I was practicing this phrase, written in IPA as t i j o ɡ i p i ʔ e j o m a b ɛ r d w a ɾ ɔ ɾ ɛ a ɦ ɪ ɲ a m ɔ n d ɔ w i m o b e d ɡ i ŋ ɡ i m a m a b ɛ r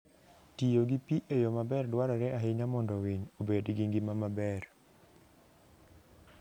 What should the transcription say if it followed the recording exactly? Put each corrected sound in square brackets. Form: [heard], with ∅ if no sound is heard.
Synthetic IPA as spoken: t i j o ɡ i p i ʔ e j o m a b ɛ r d w a ɾ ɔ ɾ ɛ a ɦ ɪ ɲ a m ɔ n d ɔ w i [ɲ] o b e d ɡ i ŋ ɡ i m a m a b ɛ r